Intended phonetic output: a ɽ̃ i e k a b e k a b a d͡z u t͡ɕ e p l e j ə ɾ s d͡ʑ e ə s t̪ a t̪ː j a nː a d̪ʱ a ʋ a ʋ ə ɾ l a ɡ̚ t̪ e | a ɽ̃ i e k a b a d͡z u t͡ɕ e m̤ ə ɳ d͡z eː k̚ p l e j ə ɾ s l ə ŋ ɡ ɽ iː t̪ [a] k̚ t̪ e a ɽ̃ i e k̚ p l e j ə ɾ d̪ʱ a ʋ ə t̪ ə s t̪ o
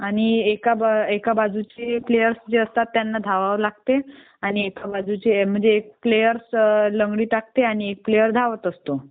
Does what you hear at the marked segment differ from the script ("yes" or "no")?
no